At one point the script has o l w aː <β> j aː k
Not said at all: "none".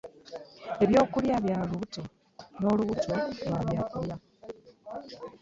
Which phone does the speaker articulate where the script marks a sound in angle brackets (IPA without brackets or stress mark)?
β